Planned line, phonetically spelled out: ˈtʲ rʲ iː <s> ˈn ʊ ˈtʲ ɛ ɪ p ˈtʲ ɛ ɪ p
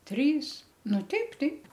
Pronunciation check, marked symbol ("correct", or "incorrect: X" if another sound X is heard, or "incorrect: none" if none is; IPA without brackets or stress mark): correct